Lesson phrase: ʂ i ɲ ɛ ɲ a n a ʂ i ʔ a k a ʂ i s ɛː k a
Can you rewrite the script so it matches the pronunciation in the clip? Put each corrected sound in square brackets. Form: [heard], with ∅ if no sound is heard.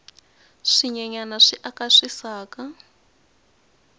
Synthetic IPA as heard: ʂ i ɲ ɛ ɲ a n a ʂ i ʔ a k a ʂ i s [aː] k a